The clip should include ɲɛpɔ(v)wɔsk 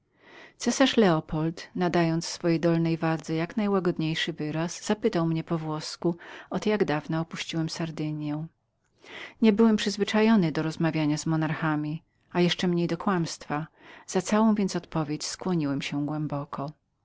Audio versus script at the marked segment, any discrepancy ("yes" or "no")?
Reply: no